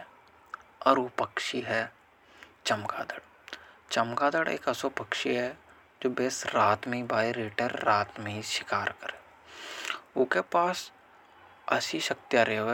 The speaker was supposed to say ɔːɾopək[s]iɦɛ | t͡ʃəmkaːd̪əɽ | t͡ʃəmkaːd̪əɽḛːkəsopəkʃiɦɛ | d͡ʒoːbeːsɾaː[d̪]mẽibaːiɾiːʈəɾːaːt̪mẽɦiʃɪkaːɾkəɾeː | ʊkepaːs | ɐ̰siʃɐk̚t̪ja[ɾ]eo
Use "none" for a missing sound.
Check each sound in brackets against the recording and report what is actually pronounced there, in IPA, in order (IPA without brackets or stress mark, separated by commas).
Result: ʃ, t̪, ɾ